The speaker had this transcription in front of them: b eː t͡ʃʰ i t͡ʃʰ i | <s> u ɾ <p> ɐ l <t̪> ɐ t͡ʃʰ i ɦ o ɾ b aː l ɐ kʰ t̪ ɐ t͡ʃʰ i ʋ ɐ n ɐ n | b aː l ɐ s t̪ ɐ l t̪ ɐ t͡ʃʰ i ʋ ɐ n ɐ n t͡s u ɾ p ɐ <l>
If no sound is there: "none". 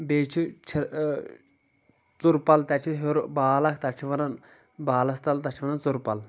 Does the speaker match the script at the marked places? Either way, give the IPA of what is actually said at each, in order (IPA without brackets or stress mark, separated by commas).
t͡s, p, t̪, l